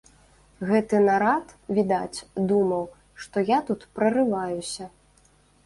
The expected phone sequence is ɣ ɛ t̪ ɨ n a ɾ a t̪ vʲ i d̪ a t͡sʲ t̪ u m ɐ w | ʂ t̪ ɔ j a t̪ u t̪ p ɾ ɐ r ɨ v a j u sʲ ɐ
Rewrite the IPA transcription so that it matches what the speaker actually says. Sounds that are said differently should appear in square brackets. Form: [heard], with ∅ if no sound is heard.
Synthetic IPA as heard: ɣ ɛ t̪ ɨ n a ɾ a t̪ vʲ i d̪ a t͡sʲ [d̪] u m ɐ w | ʂ t̪ ɔ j a t̪ u t̪ p ɾ ɐ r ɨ v a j u sʲ ɐ